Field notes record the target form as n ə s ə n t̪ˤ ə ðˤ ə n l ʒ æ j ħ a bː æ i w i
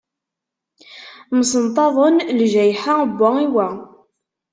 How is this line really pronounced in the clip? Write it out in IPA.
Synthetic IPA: m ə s ə n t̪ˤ ɑ ðˤ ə n l ʒ æ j ħ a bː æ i w æ